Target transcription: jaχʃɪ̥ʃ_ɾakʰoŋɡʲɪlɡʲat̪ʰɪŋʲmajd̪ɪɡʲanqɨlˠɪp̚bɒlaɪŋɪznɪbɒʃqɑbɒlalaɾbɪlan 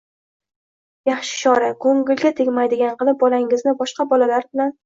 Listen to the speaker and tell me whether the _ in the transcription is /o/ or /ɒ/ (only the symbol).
ɒ